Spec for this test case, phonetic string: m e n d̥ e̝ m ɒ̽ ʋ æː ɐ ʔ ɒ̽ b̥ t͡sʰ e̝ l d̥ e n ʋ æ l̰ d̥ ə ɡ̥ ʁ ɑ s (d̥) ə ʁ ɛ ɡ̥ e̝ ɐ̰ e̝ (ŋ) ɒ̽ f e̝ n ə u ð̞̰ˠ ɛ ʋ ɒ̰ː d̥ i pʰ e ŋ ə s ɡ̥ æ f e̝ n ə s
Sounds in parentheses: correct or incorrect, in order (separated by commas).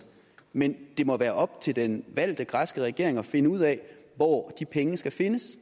incorrect, correct